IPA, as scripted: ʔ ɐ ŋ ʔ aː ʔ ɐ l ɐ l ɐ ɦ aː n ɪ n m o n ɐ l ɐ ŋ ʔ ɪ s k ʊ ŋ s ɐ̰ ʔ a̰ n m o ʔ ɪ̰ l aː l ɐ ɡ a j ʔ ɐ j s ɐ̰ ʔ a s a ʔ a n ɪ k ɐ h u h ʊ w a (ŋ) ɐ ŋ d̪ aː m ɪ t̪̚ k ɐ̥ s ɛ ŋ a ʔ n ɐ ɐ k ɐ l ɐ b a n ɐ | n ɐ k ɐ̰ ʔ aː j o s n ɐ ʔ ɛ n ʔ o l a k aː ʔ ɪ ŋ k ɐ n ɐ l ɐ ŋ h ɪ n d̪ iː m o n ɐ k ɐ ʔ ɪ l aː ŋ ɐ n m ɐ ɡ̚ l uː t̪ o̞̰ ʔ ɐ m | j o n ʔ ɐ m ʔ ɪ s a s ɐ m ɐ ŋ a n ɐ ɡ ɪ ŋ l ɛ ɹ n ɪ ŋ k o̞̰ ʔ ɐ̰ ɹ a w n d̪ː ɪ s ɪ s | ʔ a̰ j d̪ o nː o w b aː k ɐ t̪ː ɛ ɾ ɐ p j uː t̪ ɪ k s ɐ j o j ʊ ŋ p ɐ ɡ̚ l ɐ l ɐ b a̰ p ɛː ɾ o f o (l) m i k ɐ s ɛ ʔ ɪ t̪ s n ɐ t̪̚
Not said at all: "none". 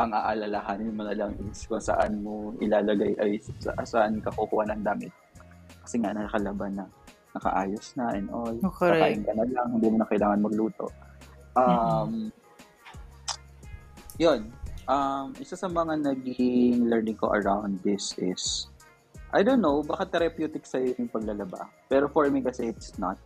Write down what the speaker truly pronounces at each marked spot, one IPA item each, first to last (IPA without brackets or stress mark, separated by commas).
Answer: n, ɹ